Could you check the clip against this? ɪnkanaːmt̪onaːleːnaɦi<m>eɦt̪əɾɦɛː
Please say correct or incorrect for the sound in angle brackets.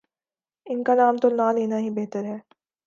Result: incorrect